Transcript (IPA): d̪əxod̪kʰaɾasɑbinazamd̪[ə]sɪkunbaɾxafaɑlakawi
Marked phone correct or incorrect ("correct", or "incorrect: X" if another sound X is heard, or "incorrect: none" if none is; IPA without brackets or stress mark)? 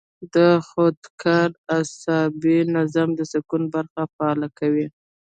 correct